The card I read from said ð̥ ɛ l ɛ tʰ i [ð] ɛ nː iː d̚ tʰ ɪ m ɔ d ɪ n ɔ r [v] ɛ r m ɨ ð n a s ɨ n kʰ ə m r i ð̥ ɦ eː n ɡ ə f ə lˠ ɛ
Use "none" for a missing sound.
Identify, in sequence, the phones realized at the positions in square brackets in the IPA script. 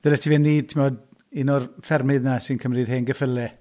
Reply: v, f

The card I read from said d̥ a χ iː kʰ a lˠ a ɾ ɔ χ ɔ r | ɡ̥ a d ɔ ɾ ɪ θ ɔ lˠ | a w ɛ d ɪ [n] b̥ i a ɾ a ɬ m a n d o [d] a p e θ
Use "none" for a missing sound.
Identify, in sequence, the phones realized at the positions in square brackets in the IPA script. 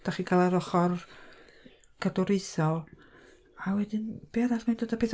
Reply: n, d

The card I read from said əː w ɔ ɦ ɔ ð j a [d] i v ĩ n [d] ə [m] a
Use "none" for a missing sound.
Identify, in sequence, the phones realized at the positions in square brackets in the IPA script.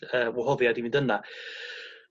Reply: d, d, n

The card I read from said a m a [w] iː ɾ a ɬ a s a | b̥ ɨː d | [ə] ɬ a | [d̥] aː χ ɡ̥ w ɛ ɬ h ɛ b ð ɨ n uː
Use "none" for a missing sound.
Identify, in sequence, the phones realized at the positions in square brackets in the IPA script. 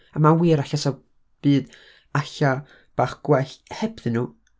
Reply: w, a, b̥

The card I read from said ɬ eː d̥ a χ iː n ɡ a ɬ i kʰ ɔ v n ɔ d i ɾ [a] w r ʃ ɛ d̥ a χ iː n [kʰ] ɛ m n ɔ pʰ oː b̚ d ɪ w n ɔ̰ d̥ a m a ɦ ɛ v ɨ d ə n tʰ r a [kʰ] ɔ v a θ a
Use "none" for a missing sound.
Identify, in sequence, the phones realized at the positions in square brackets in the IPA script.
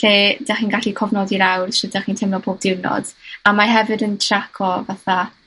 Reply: a, tʰ, kʰ

